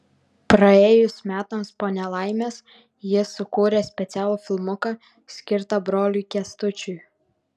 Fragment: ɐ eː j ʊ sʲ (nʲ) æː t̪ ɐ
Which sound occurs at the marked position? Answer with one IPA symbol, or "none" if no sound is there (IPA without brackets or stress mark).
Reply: mʲ